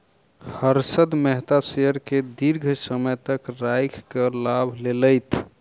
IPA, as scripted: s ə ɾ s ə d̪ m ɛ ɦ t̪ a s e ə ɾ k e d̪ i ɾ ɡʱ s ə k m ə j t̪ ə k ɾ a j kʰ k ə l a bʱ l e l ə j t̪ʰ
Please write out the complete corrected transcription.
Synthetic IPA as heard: h ə ɾ s ə d̪ m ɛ ɦ t̪ a s e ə ɾ k e d̪ i ɾ ɡʱ s ə m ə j t̪ ə k ɾ a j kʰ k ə l a bʱ l e l ə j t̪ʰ